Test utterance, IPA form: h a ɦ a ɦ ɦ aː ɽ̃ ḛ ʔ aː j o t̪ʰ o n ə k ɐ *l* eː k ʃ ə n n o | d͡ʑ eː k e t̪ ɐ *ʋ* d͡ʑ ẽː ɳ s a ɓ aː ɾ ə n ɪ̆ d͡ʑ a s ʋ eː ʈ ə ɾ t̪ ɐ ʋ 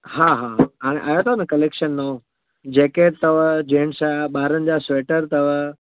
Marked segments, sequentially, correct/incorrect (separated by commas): correct, correct